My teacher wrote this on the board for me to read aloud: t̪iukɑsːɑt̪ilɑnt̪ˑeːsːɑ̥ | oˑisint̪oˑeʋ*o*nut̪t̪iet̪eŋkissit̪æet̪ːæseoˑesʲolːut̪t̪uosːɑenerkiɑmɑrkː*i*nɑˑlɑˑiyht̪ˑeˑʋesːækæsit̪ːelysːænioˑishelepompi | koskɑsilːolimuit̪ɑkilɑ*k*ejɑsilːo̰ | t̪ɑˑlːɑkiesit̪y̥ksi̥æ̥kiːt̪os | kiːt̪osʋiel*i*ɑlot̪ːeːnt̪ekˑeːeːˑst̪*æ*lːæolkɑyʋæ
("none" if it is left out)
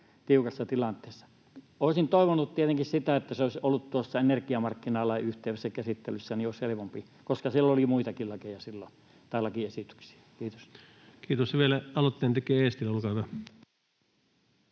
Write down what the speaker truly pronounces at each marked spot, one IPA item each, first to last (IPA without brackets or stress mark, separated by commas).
o, i, k, æ, i